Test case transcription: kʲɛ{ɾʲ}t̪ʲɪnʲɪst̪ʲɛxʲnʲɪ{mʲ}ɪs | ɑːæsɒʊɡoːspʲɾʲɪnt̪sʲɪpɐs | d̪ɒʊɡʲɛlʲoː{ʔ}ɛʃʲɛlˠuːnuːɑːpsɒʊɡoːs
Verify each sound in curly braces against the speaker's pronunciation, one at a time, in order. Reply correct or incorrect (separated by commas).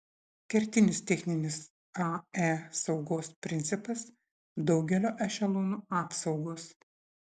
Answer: correct, incorrect, correct